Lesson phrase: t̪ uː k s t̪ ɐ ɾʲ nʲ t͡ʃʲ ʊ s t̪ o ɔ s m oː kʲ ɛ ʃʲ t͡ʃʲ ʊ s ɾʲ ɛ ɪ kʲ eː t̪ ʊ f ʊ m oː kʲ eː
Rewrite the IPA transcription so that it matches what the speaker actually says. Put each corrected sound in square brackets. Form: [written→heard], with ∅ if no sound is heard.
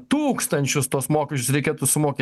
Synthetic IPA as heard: t̪ uː k s t̪ ɐ [ɾʲ→∅] nʲ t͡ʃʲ ʊ s t̪ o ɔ s m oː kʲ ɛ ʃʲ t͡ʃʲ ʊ s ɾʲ ɛ ɪ kʲ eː t̪ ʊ [f→s] ʊ m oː kʲ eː

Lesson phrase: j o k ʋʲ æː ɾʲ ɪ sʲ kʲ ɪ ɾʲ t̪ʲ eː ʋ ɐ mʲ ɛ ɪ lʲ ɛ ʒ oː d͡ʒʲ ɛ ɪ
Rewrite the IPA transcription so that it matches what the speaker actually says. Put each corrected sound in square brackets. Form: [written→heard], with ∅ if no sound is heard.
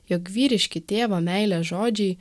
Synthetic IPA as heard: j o k ʋʲ [æː→iː] ɾʲ ɪ [sʲ→ʃʲ] kʲ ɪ [ɾʲ→∅] t̪ʲ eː ʋ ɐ mʲ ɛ ɪ lʲ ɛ ʒ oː d͡ʒʲ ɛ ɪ

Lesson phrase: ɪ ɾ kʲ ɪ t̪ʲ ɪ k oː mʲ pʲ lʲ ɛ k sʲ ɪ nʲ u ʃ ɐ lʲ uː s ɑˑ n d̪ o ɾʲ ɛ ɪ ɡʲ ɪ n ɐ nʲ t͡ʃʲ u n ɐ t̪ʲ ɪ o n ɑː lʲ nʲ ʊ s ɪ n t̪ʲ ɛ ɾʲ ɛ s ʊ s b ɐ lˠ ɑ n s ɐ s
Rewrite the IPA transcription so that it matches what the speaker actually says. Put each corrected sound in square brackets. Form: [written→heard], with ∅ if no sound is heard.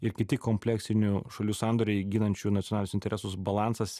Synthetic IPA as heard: ɪ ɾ kʲ ɪ t̪ʲ ɪ k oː mʲ pʲ lʲ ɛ k sʲ ɪ nʲ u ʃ ɐ lʲ uː s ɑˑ n d̪ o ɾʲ ɛ ɪ ɡʲ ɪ n ɐ nʲ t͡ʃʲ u n ɐ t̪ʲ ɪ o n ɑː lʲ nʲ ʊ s ɪ n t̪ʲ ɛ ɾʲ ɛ s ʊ s b ɐ lˠ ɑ n s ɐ s

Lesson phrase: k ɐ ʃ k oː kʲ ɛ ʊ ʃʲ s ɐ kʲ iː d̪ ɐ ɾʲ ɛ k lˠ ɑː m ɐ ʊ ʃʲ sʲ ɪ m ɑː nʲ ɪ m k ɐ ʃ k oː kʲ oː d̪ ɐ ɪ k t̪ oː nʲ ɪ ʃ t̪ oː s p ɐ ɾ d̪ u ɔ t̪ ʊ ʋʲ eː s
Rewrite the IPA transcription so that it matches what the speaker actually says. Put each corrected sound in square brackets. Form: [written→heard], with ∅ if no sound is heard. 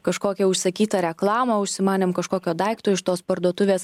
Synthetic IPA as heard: k ɐ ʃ k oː kʲ ɛ ʊ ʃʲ s ɐ kʲ iː [d̪→t̪] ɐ ɾʲ ɛ k lˠ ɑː m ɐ ʊ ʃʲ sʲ ɪ m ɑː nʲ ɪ m k ɐ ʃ k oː kʲ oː d̪ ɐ ɪ k t̪ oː [nʲ→∅] ɪ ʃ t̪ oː s p ɐ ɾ d̪ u ɔ t̪ ʊ ʋʲ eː s

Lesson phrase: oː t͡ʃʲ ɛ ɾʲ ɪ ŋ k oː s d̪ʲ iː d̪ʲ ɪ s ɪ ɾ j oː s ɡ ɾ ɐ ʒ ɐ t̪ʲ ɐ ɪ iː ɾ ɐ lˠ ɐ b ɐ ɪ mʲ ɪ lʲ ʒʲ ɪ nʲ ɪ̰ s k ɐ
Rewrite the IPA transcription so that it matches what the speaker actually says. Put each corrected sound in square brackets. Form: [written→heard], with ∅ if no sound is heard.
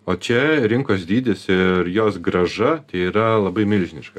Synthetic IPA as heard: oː t͡ʃʲ ɛ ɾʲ ɪ ŋ k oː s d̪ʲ iː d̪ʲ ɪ s ɪ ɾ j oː s ɡ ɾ ɐ ʒ ɐ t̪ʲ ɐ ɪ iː ɾ ɐ lˠ ɐ b ɐ ɪ mʲ ɪ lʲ ʒʲ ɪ nʲ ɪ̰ [s→ʃ] k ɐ

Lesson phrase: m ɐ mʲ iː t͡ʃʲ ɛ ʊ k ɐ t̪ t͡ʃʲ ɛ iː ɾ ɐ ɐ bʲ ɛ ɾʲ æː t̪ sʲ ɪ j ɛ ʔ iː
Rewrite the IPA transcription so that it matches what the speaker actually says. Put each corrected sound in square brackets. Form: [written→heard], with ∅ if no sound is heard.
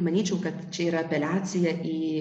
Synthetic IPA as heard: m ɐ [mʲ→nʲ] iː t͡ʃʲ ɛ ʊ k ɐ t̪ t͡ʃʲ ɛ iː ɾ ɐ ɐ [bʲ→pʲ] ɛ [ɾʲ→lʲ] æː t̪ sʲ ɪ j ɛ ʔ iː

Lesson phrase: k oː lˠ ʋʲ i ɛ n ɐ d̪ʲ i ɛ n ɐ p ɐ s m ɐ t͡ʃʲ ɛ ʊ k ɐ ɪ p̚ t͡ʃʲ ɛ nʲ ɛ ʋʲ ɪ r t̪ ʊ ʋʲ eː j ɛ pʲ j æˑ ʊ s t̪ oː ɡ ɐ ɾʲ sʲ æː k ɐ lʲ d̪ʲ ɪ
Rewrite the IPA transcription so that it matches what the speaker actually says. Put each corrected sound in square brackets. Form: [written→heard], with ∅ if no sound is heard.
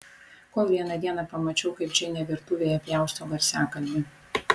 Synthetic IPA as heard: k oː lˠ ʋʲ i ɛ n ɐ d̪ʲ i ɛ n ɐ p ɐ [s→∅] m ɐ t͡ʃʲ ɛ ʊ k ɐ ɪ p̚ t͡ʃʲ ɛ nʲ ɛ ʋʲ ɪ [r→ɾ] t̪ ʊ ʋʲ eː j ɛ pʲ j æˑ ʊ s t̪ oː ɡ ɐ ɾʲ sʲ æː k ɐ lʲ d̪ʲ ɪ

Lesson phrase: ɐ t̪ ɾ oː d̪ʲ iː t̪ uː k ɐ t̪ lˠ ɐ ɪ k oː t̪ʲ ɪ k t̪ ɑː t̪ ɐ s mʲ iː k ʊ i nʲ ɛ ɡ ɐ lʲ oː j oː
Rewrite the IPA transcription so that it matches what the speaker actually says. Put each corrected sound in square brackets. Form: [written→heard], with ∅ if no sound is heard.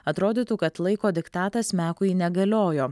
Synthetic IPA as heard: ɐ t̪ ɾ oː d̪ʲ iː t̪ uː k ɐ t̪ lˠ ɐ ɪ k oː [t̪ʲ→d̪ʲ] ɪ k t̪ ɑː t̪ ɐ s mʲ [iː→æː] k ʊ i nʲ ɛ ɡ ɐ lʲ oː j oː

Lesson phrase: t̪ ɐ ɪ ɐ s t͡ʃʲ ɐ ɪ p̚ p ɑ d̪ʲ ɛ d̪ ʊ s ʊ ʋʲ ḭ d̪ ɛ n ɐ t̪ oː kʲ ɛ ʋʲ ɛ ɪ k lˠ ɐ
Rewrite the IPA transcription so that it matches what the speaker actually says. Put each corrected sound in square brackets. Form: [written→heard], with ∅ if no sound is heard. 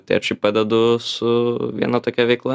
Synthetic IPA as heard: t̪ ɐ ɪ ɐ [s→ʃ] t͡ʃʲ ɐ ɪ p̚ p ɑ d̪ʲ ɛ d̪ ʊ s ʊ ʋʲ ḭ [d̪→∅] ɛ n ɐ t̪ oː kʲ ɛ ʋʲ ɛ ɪ k lˠ ɐ

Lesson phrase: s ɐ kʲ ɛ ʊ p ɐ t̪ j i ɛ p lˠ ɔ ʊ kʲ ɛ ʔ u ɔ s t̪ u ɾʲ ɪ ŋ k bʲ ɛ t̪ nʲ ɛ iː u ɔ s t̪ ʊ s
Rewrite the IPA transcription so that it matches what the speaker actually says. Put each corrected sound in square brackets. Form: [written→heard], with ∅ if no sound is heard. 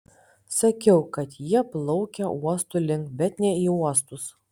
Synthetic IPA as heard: s ɐ kʲ ɛ ʊ [p→k] ɐ t̪ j i ɛ p lˠ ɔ ʊ kʲ ɛ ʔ u ɔ s t̪ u [ɾʲ→lʲ] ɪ ŋ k bʲ ɛ t̪ nʲ ɛ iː u ɔ s t̪ ʊ s

